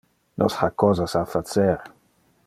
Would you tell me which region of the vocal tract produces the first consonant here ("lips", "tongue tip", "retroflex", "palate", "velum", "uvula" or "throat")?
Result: tongue tip